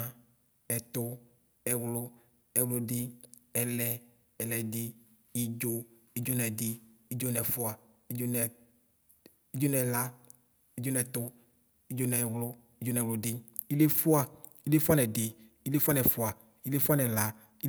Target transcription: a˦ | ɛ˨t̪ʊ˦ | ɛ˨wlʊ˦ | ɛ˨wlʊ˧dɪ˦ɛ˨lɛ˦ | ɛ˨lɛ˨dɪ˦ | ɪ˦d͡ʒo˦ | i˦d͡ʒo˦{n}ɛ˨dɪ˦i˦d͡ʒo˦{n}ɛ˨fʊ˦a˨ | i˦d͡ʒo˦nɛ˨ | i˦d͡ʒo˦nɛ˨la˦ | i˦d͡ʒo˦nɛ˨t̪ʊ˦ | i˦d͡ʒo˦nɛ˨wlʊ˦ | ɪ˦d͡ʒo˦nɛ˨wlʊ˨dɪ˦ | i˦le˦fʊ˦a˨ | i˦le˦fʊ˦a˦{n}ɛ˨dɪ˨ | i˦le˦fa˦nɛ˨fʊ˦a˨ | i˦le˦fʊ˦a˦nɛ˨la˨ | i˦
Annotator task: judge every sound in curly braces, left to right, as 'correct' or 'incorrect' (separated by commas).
correct, correct, correct